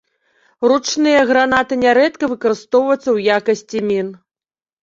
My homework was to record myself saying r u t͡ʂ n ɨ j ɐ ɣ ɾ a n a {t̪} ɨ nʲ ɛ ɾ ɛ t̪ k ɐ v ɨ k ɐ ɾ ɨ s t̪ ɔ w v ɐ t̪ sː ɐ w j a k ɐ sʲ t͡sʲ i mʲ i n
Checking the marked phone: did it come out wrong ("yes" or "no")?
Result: no